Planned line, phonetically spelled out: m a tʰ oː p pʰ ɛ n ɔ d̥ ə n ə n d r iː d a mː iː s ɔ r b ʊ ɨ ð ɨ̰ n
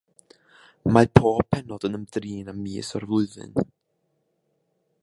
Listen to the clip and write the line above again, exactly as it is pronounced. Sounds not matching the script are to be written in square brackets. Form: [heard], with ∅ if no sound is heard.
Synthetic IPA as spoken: m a [pʰ] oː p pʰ ɛ n ɔ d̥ ə n ə [m] d r iː [n] a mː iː s ɔ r [v] ʊ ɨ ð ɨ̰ n